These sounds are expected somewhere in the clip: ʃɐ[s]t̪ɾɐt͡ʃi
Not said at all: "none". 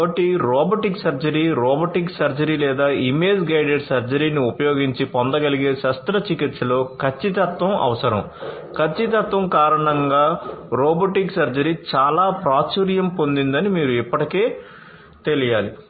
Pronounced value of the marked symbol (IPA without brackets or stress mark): s